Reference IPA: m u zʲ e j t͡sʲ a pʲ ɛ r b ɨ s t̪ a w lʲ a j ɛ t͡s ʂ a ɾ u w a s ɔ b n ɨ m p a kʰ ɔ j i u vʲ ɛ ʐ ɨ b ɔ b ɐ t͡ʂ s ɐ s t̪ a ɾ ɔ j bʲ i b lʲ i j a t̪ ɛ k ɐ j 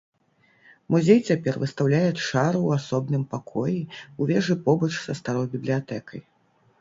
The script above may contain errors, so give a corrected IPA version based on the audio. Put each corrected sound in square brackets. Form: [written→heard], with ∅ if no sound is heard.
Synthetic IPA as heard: m u zʲ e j t͡sʲ a pʲ ɛ r [b→v] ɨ s t̪ a w lʲ a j ɛ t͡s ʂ a ɾ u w a s ɔ b n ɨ m p a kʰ ɔ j i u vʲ ɛ ʐ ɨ [b→p] ɔ b ɐ t͡ʂ s ɐ s t̪ a ɾ ɔ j bʲ i b lʲ i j a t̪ ɛ k ɐ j